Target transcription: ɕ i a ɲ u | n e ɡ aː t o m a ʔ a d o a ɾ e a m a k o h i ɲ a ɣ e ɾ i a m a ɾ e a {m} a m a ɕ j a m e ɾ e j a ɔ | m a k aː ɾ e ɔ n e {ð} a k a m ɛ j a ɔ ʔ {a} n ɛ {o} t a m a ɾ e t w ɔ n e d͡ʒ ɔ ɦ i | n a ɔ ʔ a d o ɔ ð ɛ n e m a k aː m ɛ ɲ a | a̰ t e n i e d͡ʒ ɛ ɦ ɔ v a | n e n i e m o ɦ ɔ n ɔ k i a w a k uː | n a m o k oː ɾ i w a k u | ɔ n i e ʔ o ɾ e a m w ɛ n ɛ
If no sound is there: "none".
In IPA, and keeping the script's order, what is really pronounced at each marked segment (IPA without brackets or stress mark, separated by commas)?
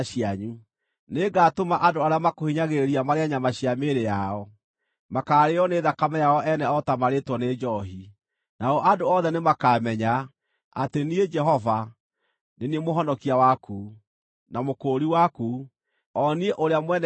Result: ɲ, ð, ɛ, ɔ